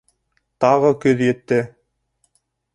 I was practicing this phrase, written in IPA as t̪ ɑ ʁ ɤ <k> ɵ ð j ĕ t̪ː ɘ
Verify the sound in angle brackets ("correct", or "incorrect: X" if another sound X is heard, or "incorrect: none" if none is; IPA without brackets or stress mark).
correct